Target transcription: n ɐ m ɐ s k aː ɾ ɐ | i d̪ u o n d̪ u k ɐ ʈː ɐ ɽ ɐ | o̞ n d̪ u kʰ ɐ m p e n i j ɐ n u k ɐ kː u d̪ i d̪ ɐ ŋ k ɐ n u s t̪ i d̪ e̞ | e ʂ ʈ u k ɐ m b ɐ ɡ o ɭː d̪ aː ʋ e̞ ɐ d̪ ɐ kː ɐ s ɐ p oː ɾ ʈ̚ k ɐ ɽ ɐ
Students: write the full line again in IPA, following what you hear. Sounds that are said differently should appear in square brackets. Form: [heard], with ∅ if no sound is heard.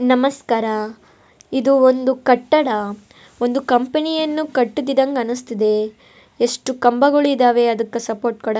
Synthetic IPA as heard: n ɐ m ɐ s k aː ɾ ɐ | i d̪ u o n d̪ u k ɐ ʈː ɐ ɽ ɐ | o̞ n d̪ u [k] ɐ m p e n i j ɐ [nː] u k ɐ [ʈː] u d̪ i d̪ ɐ ŋ [ɡ] ɐ n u s t̪ i d̪ e̞ | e ʂ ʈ u k ɐ m b ɐ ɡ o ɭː d̪ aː ʋ e̞ ɐ d̪ ɐ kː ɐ s ɐ p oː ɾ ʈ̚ k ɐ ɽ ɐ